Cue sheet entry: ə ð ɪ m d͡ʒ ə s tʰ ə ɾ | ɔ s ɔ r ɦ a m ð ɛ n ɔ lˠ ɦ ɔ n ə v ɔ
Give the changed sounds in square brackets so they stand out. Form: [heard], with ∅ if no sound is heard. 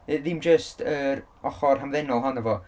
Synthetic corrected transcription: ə ð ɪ m d͡ʒ ə s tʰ ə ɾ | ɔ [χ] ɔ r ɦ a m ð ɛ n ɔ lˠ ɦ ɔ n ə v ɔ